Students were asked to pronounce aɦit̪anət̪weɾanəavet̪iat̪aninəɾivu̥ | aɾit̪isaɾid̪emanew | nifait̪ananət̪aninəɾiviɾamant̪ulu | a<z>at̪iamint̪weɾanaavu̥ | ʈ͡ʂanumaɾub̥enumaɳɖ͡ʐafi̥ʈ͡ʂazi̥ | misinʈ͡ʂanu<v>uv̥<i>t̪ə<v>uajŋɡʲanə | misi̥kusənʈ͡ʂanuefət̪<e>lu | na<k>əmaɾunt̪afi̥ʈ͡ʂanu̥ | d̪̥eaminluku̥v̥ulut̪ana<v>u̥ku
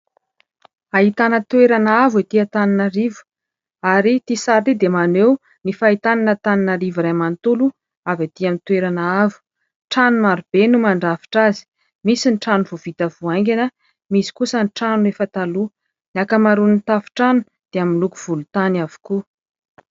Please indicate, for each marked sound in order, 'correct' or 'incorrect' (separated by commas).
incorrect, correct, correct, correct, incorrect, correct, correct